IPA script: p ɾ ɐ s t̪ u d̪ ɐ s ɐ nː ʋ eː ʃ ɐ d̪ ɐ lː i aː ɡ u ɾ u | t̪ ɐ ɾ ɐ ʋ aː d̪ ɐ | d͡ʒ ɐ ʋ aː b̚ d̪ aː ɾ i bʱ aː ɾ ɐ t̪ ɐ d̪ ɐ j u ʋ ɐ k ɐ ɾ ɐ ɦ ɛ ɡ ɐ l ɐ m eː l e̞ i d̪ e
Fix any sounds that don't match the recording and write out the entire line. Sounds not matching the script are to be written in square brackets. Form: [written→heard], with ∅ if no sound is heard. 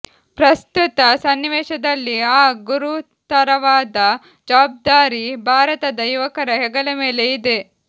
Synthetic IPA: p ɾ ɐ s t̪ u [d̪→t̪] ɐ s ɐ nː ʋ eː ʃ ɐ d̪ ɐ lː i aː ɡ u ɾ u | t̪ ɐ ɾ ɐ ʋ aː d̪ ɐ | d͡ʒ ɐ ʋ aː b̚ d̪ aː ɾ i bʱ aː ɾ ɐ t̪ ɐ d̪ ɐ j u ʋ ɐ k ɐ ɾ ɐ ɦ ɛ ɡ ɐ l ɐ m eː l e̞ i d̪ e

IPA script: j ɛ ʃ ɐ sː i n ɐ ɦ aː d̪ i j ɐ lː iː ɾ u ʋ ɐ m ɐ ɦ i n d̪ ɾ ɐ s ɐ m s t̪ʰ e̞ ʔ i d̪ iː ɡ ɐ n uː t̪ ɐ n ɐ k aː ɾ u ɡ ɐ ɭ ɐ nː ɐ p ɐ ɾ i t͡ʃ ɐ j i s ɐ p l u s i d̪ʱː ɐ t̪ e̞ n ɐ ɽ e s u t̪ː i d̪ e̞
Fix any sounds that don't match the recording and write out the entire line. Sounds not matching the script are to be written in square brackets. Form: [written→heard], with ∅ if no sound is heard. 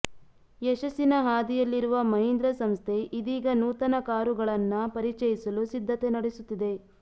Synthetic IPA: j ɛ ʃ ɐ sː i n ɐ ɦ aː d̪ i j ɐ lː [iː→i] ɾ u ʋ ɐ m ɐ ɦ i n d̪ ɾ ɐ s ɐ m s t̪ʰ e̞ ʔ i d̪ iː ɡ ɐ n uː t̪ ɐ n ɐ k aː ɾ u ɡ ɐ ɭ ɐ nː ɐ p ɐ ɾ i t͡ʃ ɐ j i s ɐ [p→∅] l u s i d̪ʱː ɐ t̪ e̞ n ɐ ɽ e s u t̪ː i d̪ e̞

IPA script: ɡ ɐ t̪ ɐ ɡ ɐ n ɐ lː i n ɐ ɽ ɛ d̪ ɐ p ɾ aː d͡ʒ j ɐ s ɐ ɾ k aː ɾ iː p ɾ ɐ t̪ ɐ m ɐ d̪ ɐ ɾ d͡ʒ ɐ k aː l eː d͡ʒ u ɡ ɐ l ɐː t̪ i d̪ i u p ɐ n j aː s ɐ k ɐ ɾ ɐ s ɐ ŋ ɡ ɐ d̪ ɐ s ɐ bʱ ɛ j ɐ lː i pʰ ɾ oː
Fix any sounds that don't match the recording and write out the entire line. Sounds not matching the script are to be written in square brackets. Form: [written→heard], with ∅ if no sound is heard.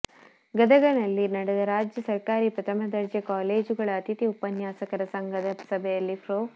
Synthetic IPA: ɡ ɐ [t̪→d̪] ɐ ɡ ɐ n ɐ lː i n ɐ ɽ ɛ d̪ ɐ [p→∅] ɾ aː d͡ʒ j ɐ s ɐ ɾ k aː ɾ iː p ɾ ɐ t̪ ɐ m ɐ d̪ ɐ ɾ d͡ʒ ɐ k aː l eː d͡ʒ u ɡ ɐ [l→ɭ] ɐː t̪ i [d̪→t̪] i u p ɐ n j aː s ɐ k ɐ ɾ ɐ s ɐ ŋ ɡ ɐ d̪ ɐ s ɐ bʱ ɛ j ɐ lː i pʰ ɾ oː

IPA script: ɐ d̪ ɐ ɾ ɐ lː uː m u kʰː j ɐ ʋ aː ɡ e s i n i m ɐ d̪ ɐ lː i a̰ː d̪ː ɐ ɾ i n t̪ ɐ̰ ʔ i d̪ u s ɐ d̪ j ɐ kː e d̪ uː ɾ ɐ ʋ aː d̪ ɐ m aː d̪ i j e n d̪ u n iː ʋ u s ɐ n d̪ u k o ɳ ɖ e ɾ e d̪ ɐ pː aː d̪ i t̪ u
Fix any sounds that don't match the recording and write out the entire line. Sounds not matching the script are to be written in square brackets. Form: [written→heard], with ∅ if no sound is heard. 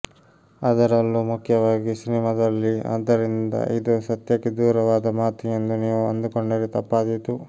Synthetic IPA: ɐ d̪ ɐ ɾ ɐ lː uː m u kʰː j ɐ ʋ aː ɡ [e→i] s i n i m ɐ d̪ ɐ lː i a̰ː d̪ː ɐ ɾ i n [t̪→d̪] ɐ̰ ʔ i d̪ u s ɐ [d̪→t̪] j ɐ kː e d̪ uː ɾ ɐ ʋ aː d̪ ɐ m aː [d̪→t̪] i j e n d̪ u n iː ʋ u [s→∅] ɐ n d̪ u k o ɳ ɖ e ɾ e [d̪→t̪] ɐ pː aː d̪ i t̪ u

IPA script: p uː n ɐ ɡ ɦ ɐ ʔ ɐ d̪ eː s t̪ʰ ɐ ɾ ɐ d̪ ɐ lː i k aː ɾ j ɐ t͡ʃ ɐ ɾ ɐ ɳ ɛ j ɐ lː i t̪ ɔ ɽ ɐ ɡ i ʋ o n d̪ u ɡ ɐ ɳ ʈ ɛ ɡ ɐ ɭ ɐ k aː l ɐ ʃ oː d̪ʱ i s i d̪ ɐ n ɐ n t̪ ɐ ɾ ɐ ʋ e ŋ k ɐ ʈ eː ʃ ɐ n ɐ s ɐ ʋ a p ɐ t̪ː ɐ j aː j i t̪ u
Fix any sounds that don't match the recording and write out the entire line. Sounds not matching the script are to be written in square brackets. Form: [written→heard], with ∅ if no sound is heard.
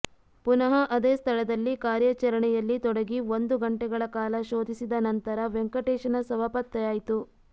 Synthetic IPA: p [uː→u] n ɐ [ɡ→∅] ɦ ɐ ʔ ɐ d̪ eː s t̪ʰ ɐ [ɾ→ɭ] ɐ d̪ ɐ lː i k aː ɾ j ɐ t͡ʃ ɐ ɾ ɐ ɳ ɛ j ɐ lː i t̪ ɔ ɽ ɐ ɡ i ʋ o n d̪ u ɡ ɐ ɳ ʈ ɛ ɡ ɐ ɭ ɐ k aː l ɐ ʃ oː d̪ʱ i s i d̪ ɐ n ɐ n t̪ ɐ ɾ ɐ ʋ e ŋ k ɐ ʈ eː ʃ ɐ n ɐ s ɐ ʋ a p ɐ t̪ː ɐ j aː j i t̪ u

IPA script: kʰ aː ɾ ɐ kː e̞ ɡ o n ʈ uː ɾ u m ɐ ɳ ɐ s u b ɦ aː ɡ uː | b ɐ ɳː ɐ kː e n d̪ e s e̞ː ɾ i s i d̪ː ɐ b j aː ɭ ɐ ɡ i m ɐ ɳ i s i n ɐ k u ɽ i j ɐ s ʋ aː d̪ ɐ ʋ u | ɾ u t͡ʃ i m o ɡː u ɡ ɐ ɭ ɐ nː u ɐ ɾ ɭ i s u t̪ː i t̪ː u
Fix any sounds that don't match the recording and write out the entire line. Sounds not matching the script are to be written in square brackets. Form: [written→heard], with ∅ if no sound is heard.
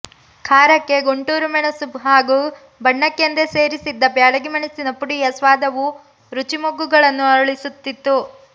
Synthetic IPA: kʰ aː ɾ ɐ kː e̞ ɡ o [n→ɳ] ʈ uː ɾ u m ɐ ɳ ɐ s u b ɦ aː ɡ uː | b ɐ ɳː ɐ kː e n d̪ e s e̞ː ɾ i s i d̪ː ɐ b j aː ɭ ɐ ɡ i m ɐ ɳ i s i n ɐ [k→p] u ɽ i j ɐ s ʋ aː d̪ ɐ ʋ u | ɾ u t͡ʃ i m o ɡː u ɡ ɐ ɭ ɐ nː u ɐ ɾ ɭ i s u t̪ː i t̪ː u

